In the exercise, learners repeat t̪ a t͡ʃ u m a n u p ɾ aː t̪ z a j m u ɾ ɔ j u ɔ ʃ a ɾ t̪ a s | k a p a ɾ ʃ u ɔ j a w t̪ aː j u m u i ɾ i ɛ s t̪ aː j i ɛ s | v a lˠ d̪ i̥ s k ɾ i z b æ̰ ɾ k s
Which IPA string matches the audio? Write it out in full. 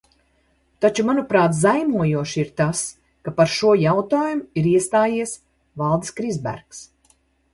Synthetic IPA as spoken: t̪ a t͡ʃ u m a n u p ɾ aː t̪ z a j m u ɔ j u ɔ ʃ i ɾ t̪ a s | k a p a ɾ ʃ u ɔ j a w t̪ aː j u m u i ɾ i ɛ s t̪ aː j i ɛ s | v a lˠ d̪ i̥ s k ɾ i z b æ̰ ɾ k s